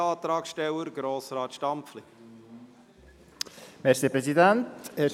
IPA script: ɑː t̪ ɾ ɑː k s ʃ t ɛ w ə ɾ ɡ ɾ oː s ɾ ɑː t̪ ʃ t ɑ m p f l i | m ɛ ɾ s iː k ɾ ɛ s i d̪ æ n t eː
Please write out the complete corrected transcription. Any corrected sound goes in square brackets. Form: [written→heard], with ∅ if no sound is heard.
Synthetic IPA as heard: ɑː t̪ ɾ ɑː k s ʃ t ɛ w ə ɾ ɡ ɾ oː s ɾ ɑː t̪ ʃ t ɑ m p f l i | m ɛ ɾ s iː [k→p] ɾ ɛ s i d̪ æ n t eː

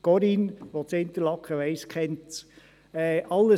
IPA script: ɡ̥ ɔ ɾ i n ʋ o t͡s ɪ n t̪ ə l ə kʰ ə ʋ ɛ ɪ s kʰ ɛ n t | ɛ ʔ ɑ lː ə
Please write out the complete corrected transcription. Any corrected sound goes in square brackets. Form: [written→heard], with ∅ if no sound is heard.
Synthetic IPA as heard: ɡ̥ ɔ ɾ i n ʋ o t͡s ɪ n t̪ ə l [ə→ɑ] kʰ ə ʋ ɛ ɪ s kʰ ɛ n t | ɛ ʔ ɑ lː ə

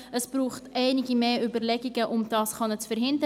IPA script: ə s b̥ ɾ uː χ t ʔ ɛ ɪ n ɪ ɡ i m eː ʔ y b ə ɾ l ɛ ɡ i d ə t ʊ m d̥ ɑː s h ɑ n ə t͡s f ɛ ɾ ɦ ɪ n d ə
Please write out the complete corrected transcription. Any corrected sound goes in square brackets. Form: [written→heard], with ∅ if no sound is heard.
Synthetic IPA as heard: ə s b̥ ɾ uː χ t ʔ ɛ ɪ n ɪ ɡ i m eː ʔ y b ə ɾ l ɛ ɡ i [d→ɡ] ə [t→ʔ] ʊ m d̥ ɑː s [h→χ] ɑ n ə t͡s f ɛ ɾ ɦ ɪ n d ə

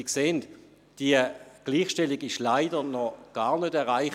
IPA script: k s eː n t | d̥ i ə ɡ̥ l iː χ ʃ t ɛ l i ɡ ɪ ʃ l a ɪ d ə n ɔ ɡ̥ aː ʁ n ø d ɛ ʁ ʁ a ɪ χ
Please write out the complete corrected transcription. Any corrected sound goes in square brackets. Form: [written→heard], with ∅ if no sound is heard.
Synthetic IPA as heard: k s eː n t | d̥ i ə ɡ̥ l iː χ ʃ t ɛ l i ɡ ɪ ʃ l a ɪ d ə n ɔ ɡ̥ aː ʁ n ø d ɛ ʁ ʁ a ɪ χ

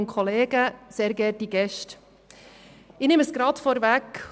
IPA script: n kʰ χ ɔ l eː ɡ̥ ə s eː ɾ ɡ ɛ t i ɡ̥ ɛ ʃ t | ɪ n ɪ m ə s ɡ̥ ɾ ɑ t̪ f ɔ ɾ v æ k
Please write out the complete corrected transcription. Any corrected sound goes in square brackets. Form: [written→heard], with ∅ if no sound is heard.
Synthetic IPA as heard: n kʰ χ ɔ l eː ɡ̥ ə s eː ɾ ɡ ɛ t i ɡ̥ ɛ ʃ t | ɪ n ɪ m ə s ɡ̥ ɾ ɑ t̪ f ɔ ɾ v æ k

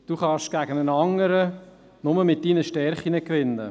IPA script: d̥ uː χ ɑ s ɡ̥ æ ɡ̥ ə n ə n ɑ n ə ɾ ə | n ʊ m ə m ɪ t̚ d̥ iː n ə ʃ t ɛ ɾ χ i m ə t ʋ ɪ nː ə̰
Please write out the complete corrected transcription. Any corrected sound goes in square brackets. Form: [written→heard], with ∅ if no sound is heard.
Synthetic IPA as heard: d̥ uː χ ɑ [s→ʃ] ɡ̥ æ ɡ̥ ə n ə n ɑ [n→ŋ] ə ɾ ə | n ʊ m ə m ɪ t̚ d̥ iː n ə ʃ t ɛ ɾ χ i [m→n] ə [t→k] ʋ ɪ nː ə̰

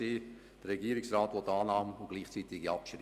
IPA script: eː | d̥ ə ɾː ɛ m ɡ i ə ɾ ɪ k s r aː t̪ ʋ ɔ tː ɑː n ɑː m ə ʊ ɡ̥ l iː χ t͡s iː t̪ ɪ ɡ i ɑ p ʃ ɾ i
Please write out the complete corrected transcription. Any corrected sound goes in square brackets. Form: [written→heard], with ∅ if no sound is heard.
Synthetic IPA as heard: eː | d̥ ə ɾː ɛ [m→∅] ɡ i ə ɾ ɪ k s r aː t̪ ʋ ɔ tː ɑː n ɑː m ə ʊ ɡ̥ l iː χ t͡s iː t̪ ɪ ɡ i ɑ p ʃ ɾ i

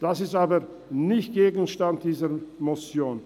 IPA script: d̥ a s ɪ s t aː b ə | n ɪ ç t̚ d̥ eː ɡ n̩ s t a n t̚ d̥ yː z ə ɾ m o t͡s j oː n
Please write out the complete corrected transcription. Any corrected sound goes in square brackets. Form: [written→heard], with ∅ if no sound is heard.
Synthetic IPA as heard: d̥ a s ɪ s t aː b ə | n ɪ ç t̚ [d̥→ɡ̥] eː ɡ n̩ [s→ʃ] t a n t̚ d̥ [yː→iː] z ə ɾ m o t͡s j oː n

